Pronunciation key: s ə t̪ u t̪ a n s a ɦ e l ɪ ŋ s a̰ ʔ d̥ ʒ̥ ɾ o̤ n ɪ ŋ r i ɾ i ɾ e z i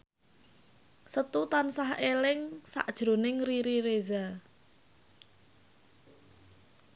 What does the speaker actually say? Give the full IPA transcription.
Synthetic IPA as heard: s ə t̪ u t̪ a n s a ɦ e l ɪ ŋ s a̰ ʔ d̥ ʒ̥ ɾ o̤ n ɪ ŋ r i ɾ i ɾ e z a